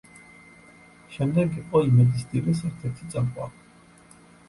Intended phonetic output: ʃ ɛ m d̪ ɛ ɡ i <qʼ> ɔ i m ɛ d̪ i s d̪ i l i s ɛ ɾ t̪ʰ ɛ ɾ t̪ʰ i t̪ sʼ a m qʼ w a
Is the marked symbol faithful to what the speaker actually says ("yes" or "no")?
yes